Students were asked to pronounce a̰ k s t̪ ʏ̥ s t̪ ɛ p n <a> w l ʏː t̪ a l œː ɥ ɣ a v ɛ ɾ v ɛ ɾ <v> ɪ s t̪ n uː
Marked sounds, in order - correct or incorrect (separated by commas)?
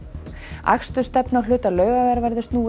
correct, incorrect